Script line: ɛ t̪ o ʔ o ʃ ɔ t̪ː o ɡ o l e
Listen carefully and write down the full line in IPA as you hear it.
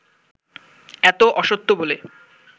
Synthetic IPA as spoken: ɛ t̪ o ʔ ɔ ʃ o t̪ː o b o l e